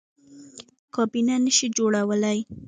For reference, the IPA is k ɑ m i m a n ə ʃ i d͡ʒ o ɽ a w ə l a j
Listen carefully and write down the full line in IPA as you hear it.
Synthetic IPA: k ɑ b i n a n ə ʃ i d͡ʒ o ɽ a w ə l a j